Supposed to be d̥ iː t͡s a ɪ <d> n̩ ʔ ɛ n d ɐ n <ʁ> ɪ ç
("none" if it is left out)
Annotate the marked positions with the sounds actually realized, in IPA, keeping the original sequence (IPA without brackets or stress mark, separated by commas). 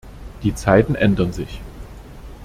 t, z